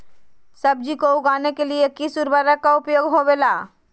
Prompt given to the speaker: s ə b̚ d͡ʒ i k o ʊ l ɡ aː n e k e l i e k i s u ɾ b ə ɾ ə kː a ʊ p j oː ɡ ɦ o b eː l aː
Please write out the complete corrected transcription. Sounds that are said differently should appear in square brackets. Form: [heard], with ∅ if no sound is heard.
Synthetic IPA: s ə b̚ d͡ʒ i k o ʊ [∅] ɡ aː n e k e l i e k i s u ɾ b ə ɾ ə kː a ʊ p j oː ɡ ɦ o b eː l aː